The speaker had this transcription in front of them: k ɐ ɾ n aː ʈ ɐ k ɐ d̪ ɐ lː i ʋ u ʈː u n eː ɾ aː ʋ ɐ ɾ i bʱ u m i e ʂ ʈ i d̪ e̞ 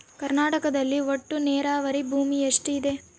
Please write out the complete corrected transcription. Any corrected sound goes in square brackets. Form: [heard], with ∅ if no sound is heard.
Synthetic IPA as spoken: k ɐ ɾ n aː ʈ ɐ k ɐ d̪ ɐ lː i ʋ [o] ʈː u n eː ɾ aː ʋ ɐ ɾ i bʱ [uː] m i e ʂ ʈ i d̪ e̞